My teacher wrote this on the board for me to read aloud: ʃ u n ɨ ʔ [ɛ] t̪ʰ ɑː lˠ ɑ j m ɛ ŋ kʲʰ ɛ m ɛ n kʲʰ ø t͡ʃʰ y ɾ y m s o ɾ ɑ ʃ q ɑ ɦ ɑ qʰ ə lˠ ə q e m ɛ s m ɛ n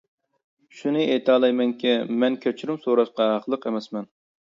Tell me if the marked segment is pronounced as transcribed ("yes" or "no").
no